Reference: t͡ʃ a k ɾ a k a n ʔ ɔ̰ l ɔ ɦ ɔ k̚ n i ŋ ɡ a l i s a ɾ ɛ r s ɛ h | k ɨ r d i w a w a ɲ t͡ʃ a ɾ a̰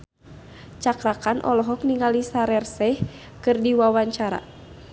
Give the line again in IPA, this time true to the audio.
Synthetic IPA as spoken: t͡ʃ a k ɾ a k a n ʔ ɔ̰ l ɔ ɦ ɔ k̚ n i ŋ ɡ a l i s a ɾ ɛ r s ɛ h | k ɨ r d i w a w a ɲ t͡ʃ a ɾ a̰